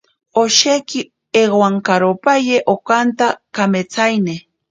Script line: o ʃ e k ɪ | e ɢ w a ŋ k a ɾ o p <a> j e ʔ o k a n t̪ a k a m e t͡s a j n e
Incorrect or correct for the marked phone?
correct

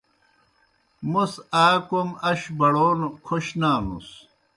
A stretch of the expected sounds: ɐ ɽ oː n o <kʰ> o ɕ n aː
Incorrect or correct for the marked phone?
correct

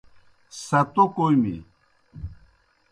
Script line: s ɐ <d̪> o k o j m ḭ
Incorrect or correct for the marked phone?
incorrect: t̪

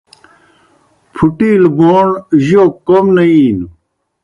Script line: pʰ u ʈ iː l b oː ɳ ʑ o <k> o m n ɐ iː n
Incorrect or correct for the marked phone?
correct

